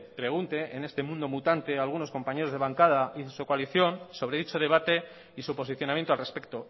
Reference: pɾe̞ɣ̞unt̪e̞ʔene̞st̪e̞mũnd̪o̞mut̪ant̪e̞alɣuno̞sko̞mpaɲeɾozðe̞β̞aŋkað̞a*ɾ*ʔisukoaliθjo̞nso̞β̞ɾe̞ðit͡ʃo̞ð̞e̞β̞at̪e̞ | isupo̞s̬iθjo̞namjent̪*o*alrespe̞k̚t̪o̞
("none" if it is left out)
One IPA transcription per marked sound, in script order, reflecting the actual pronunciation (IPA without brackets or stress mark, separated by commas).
none, o